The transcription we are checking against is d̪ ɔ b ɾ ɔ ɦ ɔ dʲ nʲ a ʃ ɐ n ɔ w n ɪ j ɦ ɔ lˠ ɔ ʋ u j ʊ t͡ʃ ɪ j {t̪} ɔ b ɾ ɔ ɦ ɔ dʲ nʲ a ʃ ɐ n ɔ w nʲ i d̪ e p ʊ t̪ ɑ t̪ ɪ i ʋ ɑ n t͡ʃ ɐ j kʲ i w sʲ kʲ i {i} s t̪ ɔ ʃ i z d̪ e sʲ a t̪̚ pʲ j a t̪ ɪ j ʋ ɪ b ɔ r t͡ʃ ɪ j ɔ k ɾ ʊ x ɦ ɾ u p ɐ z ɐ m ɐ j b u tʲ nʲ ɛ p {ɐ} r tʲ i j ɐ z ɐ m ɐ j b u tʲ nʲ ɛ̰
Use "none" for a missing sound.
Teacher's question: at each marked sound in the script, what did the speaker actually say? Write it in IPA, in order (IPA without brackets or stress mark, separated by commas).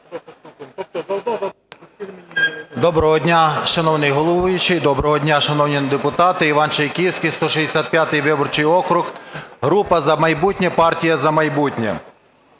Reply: d̪, j, ɑ